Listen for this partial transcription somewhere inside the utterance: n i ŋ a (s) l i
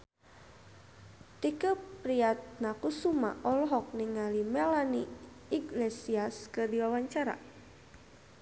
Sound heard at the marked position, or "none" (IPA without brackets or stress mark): none